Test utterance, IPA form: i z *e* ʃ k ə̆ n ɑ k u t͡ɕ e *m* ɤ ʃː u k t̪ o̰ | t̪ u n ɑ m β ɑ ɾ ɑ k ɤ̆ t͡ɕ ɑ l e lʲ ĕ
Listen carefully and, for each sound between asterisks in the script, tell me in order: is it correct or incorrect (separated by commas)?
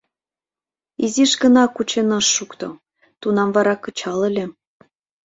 incorrect, incorrect